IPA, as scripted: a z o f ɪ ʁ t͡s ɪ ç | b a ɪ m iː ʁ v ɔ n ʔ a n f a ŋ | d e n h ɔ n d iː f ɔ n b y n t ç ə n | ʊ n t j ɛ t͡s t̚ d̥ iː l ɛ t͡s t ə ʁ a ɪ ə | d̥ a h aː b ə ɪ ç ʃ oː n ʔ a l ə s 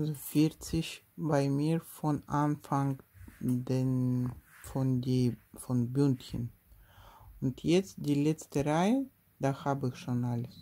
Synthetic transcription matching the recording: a z o f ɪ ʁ t͡s ɪ ç | b a ɪ m iː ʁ f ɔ n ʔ a n f a ŋ | d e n f ɔ n d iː f ɔ n b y n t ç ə n | ʊ n t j ɛ t͡s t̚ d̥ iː l ɛ t͡s t ə ʁ a ɪ ə | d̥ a h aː b ə ɪ ç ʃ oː n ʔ a l ə s

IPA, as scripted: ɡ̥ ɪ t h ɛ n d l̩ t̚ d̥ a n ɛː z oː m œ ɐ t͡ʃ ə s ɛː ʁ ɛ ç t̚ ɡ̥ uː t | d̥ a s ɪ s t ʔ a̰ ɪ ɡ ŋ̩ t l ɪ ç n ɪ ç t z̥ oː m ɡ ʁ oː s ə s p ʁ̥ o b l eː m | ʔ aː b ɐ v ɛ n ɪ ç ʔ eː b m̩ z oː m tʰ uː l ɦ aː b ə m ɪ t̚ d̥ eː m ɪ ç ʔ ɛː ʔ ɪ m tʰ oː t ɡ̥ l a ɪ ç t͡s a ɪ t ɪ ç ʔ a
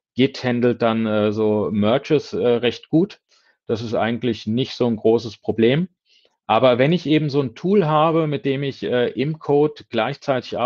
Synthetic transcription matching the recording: ɡ̥ ɪ t h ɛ n d l̩ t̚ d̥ a n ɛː z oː m œ ɐ t͡ʃ ə s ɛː ʁ ɛ ç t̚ ɡ̥ uː t | d̥ a s ɪ s t ʔ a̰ ɪ ɡ ŋ̩ t l ɪ ç n ɪ ç t z̥ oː n ɡ ʁ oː s ə s p ʁ̥ o b l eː m | ʔ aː b ɐ v ɛ n ɪ ç ʔ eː b m̩ z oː n tʰ uː l ɦ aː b ə m ɪ t̚ d̥ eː m ɪ ç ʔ ɛː ʔ ɪ m kʰ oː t ɡ̥ l a ɪ ç t͡s a ɪ t ɪ ç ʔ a

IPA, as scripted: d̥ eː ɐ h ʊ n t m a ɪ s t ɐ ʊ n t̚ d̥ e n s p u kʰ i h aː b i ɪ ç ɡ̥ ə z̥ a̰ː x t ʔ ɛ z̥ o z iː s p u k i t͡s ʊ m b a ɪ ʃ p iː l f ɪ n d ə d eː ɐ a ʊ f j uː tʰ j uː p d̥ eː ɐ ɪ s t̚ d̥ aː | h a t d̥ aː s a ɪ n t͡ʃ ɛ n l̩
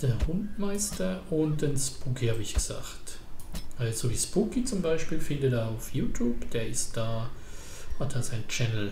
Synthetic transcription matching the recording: d̥ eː ɐ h ʊ n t m a ɪ s t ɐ ʊ n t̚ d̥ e n s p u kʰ i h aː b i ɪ ç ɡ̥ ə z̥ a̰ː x t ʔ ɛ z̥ o v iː s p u k i t͡s ʊ m b a ɪ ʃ p iː l f ɪ n d ə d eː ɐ a ʊ f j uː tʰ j uː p d̥ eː ɐ ɪ s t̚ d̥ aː | h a t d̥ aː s a ɪ n t͡ʃ ɛ n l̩

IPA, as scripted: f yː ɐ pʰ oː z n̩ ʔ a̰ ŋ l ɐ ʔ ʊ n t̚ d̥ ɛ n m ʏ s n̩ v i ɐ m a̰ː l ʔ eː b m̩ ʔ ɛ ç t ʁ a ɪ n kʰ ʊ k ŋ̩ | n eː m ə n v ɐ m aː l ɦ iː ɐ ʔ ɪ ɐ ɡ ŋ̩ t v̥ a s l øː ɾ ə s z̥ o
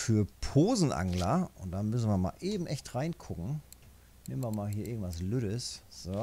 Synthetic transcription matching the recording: f yː ɐ pʰ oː z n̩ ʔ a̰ ŋ l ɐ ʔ ʊ n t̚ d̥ a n m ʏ s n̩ v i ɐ m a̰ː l ʔ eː b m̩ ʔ ɛ ç t ʁ a ɪ n kʰ ʊ k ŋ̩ | n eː m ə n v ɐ m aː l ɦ iː ɐ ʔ ɪ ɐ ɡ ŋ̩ t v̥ a s l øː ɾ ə s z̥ o

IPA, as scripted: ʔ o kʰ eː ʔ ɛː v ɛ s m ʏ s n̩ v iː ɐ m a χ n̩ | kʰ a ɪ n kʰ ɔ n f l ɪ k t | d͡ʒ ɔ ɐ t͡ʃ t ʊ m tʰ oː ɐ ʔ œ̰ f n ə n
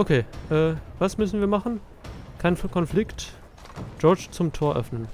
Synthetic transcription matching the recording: ʔ o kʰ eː ʔ ɛː v a s m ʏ s n̩ v iː ɐ m a χ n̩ | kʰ a ɪ n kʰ ɔ n f l ɪ k t | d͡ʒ ɔ ɐ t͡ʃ t͡s ʊ m tʰ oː ɐ ʔ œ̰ f n ə n

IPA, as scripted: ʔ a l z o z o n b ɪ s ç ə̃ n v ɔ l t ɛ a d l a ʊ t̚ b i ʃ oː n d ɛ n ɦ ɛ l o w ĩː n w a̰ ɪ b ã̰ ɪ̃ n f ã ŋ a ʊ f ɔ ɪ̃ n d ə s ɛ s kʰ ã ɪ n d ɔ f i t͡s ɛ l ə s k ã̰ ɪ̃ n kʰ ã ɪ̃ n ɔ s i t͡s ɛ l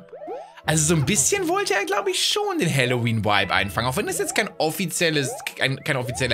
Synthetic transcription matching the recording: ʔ a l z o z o n b ɪ s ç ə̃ n v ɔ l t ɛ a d l a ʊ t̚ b i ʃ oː n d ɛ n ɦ ɛ l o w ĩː n w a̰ ɪ b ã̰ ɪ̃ n f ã ŋ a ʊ f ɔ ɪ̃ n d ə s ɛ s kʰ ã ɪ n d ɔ f i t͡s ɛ l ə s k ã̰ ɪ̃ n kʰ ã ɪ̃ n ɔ f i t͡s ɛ l

